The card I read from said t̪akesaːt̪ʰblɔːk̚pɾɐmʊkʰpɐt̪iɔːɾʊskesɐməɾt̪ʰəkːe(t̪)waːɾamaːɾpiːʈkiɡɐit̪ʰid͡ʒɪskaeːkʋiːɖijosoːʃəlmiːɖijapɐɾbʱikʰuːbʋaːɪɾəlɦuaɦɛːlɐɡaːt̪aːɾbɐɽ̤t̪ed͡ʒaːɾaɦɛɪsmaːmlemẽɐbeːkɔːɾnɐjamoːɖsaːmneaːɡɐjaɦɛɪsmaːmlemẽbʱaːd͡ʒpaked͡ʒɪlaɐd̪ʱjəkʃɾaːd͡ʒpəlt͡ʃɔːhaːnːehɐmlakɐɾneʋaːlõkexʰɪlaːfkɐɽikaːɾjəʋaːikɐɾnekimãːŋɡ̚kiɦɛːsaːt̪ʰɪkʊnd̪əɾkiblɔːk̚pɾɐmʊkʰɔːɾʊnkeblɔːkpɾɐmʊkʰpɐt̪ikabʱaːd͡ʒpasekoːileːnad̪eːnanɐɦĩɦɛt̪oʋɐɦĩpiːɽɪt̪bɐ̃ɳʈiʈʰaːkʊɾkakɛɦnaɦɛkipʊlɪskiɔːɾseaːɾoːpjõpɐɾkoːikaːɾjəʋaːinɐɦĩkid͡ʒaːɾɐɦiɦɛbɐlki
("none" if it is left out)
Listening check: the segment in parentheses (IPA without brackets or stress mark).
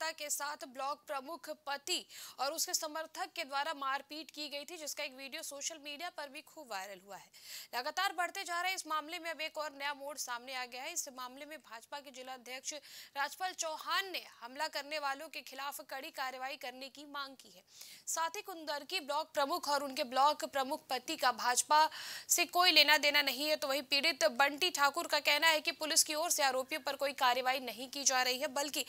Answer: d̪